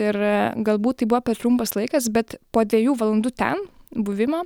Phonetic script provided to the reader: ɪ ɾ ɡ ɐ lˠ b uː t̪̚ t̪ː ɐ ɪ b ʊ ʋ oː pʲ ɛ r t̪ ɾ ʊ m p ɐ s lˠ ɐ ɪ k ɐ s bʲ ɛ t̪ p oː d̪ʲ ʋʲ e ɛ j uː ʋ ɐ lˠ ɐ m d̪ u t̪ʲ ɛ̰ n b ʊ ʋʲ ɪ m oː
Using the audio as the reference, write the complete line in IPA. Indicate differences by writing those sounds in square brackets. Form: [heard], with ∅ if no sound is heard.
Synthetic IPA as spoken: ɪ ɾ ɡ ɐ lˠ b uː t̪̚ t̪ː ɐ ɪ b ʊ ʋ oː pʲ ɛ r t̪ ɾ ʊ m p ɐ s lˠ ɐ ɪ k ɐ s bʲ ɛ t̪ p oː d̪ʲ ʋʲ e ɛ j uː ʋ ɐ lˠ ɐ [n] d̪ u t̪ʲ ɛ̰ n b ʊ ʋʲ ɪ m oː